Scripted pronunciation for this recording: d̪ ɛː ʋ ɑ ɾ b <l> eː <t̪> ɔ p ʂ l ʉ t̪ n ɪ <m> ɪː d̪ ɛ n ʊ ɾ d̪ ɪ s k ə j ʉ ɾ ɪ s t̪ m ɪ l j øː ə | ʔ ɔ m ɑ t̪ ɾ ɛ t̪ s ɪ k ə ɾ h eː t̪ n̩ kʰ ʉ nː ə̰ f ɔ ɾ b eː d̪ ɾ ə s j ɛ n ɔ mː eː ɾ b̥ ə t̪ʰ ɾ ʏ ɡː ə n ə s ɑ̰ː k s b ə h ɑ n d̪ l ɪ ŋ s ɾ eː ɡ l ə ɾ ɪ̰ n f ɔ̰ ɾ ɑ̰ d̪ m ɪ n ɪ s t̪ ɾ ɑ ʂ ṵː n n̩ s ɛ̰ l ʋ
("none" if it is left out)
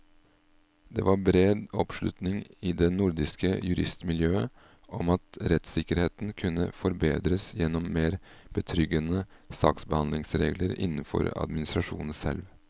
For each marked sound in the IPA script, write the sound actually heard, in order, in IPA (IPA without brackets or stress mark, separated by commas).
ɾ, d̪, ŋ